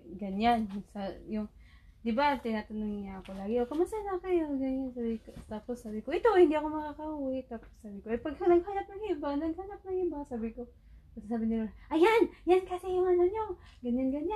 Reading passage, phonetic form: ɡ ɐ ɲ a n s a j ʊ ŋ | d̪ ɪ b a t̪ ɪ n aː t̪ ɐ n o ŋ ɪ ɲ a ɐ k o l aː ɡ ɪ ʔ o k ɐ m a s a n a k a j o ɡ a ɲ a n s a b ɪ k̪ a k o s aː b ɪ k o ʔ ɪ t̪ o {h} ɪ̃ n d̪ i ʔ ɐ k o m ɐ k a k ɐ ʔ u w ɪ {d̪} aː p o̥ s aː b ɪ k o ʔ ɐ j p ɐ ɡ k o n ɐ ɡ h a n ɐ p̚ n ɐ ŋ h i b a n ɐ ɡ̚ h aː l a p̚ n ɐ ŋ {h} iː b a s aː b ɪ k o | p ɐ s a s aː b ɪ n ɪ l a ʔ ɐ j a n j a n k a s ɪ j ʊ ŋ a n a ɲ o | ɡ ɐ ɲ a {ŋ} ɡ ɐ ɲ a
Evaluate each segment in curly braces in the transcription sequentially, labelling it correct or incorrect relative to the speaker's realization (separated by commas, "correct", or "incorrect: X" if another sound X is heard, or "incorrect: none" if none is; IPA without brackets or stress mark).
correct, incorrect: t̪, correct, incorrect: n